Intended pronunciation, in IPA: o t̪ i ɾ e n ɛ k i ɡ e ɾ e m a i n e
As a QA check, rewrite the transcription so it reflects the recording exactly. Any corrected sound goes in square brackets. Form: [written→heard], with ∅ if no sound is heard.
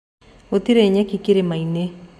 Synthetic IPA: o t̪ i ɾ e [n→ɲ] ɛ k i [ɡ→k] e ɾ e m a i n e